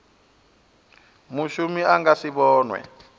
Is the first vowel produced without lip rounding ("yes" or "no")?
no